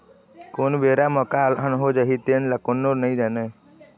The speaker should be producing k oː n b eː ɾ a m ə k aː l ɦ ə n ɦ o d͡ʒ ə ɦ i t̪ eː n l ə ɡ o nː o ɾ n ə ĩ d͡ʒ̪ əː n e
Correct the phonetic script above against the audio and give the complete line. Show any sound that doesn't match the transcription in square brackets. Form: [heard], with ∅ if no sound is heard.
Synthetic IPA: k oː n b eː ɾ a m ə k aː l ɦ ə n ɦ o d͡ʒ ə ɦ i t̪ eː n l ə [k] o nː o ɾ n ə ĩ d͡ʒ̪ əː n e

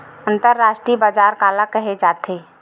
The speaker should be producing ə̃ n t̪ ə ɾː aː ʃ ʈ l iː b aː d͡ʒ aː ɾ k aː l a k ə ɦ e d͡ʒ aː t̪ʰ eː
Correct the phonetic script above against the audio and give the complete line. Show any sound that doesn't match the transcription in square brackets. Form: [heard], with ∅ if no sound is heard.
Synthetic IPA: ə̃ n t̪ ə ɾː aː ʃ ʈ [ɾ] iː b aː d͡ʒ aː ɾ k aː l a k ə ɦ e d͡ʒ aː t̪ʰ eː

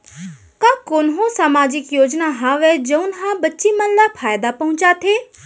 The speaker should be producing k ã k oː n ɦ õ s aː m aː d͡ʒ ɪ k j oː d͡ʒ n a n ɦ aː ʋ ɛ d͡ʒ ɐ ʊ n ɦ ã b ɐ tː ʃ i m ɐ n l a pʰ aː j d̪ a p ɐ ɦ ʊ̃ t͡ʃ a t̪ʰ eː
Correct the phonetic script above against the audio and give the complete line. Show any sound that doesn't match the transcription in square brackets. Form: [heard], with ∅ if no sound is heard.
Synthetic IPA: k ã k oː n ɦ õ s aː m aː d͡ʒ ɪ k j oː d͡ʒ n a [∅] ɦ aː ʋ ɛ d͡ʒ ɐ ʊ n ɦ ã b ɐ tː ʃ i m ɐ n l a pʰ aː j d̪ a p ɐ ɦ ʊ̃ t͡ʃ a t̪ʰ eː

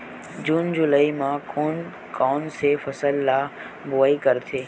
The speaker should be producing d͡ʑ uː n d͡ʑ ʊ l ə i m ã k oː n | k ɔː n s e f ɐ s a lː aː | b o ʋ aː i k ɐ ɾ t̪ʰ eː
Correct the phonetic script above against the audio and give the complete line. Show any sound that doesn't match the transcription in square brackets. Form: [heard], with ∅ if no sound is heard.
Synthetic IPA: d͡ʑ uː n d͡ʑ ʊ l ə i m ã k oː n | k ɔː n s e f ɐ s [ə] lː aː | b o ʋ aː i k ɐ ɾ t̪ʰ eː

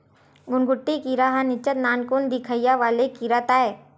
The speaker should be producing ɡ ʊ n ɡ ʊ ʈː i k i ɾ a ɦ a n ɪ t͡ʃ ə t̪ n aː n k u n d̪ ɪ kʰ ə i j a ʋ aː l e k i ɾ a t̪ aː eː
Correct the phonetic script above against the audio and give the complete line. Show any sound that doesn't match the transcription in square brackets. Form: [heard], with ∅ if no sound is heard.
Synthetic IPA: ɡ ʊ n ɡ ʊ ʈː i k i ɾ a ɦ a n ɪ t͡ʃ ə t̪ n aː n k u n d̪ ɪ kʰ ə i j a ʋ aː l e k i ɾ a t̪ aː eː

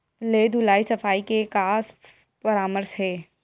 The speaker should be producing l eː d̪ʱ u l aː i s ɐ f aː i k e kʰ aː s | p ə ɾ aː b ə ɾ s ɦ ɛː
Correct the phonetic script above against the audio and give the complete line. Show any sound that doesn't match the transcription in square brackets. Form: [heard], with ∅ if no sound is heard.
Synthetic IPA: l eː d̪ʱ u l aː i s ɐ f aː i k e [k] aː s | p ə ɾ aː [m] ə ɾ s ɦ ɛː

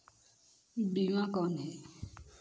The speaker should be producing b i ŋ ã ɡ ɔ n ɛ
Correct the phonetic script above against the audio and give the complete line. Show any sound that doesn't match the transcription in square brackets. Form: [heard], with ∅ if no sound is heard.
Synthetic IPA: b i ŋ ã [k] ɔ n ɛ

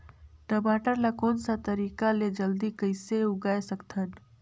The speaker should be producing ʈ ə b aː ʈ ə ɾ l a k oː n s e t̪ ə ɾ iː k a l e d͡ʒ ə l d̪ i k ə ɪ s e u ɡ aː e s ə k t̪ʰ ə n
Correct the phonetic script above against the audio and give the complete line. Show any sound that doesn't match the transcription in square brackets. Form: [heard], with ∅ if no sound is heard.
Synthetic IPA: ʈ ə b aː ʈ ə ɾ l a k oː n s [a] t̪ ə ɾ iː k a l e d͡ʒ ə l d̪ i k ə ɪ s e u ɡ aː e s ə k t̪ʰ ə n

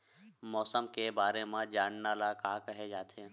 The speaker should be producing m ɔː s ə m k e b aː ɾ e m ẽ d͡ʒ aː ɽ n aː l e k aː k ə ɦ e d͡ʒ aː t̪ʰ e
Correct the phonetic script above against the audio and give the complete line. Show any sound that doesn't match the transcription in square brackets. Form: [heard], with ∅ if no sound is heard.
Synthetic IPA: m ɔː s ə m k e b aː ɾ e m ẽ d͡ʒ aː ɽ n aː l [a] k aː k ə ɦ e d͡ʒ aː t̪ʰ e

